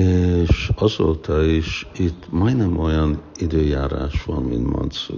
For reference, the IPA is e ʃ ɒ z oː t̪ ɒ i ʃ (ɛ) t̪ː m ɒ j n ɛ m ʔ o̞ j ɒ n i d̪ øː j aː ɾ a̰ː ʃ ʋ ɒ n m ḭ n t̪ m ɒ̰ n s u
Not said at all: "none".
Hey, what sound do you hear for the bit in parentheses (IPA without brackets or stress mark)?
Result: i